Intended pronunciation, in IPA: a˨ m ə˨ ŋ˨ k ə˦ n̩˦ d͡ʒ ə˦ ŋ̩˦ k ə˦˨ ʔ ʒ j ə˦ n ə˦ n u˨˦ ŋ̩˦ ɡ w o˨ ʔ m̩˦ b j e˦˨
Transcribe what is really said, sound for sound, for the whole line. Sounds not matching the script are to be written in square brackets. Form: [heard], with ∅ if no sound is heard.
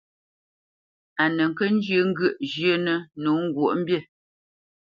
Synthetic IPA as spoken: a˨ [n] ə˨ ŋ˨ k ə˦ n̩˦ d͡ʒ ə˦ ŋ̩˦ [ɡ] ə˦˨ ʔ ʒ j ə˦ n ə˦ n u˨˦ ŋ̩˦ ɡ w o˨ ʔ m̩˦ b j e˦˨